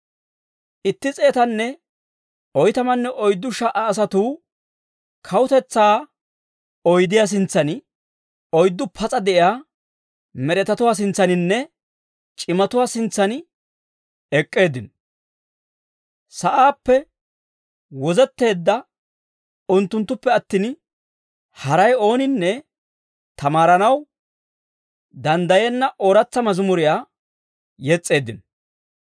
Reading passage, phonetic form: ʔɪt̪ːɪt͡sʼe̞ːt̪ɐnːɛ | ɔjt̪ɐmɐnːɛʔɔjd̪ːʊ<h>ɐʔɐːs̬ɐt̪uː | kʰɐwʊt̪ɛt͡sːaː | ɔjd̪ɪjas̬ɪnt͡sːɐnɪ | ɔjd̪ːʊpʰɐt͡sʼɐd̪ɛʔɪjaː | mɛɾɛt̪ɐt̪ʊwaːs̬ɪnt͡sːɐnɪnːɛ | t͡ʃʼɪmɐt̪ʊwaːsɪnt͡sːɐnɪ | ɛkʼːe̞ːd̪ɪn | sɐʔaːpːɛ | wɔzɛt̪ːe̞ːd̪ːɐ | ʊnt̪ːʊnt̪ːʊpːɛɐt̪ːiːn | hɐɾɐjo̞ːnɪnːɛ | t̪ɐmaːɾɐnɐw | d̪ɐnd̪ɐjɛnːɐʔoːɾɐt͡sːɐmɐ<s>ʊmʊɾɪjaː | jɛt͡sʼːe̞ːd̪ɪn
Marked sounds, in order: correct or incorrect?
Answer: incorrect: ʃ, incorrect: z

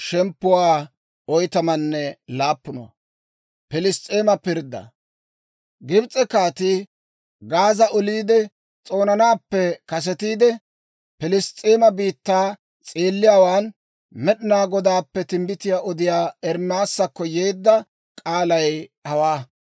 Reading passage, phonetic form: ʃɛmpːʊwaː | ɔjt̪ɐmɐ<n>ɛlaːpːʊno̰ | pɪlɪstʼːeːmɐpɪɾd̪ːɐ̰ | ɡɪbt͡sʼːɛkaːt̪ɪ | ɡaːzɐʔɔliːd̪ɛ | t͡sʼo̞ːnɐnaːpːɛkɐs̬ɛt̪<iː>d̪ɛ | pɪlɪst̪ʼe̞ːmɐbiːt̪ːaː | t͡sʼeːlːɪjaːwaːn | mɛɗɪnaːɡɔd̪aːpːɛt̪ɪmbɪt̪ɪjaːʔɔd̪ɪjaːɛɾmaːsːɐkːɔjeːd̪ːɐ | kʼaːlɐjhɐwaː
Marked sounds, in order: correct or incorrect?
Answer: incorrect: nː, correct

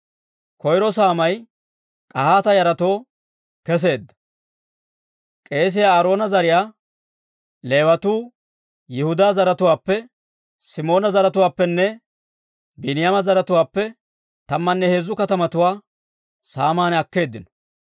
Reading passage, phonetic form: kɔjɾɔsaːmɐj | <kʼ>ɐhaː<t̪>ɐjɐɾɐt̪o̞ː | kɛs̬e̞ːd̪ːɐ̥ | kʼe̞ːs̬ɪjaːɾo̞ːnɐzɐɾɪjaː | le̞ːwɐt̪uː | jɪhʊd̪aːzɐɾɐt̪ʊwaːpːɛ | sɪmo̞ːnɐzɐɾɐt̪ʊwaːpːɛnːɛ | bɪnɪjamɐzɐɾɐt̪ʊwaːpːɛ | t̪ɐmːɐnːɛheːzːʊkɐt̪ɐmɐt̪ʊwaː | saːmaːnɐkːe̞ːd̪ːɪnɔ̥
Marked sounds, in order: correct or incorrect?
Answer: correct, correct

